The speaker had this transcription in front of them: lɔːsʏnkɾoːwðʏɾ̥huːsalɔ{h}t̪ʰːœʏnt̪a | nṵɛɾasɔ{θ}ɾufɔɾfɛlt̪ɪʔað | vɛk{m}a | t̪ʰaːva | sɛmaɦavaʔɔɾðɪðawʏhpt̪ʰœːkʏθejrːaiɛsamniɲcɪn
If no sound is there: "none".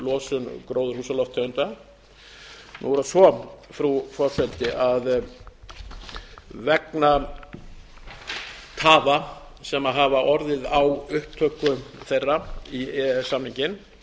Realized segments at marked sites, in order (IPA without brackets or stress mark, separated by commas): f, f, n